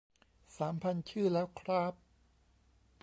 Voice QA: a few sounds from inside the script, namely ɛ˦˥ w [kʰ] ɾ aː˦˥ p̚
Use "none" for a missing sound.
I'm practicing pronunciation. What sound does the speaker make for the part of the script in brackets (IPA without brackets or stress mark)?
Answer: kʰ